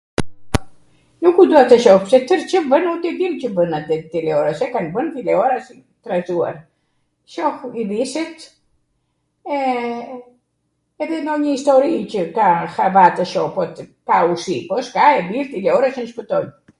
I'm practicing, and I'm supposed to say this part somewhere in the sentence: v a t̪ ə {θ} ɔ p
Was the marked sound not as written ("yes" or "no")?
yes